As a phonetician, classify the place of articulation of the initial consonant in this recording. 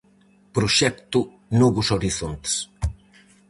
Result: labial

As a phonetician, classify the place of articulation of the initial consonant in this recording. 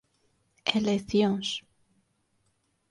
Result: alveolar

